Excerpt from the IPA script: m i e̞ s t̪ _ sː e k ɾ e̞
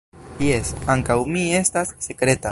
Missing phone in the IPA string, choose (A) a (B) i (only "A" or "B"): A